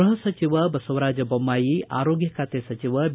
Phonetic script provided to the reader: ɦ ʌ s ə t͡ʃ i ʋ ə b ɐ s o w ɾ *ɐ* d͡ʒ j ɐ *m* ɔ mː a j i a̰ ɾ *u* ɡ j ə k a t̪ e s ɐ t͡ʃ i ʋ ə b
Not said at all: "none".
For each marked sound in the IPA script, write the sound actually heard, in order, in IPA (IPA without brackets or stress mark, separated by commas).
a, b, o